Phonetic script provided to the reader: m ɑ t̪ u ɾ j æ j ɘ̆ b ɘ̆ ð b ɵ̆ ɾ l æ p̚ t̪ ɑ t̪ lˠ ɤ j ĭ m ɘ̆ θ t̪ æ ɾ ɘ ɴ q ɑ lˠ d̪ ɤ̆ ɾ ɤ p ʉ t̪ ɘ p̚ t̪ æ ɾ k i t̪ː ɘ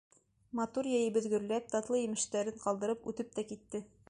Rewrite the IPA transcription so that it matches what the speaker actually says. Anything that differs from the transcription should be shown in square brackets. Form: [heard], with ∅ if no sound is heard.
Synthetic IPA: m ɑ t̪ u ɾ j æ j ɘ̆ b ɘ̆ ð [ɡ] ɵ̆ ɾ l æ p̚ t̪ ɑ t̪ lˠ ɤ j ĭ m ɘ̆ [ʃ] t̪ æ ɾ ɘ ɴ q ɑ lˠ d̪ ɤ̆ ɾ ɤ p ʉ t̪ ɘ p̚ t̪ æ [∅] k i t̪ː ɘ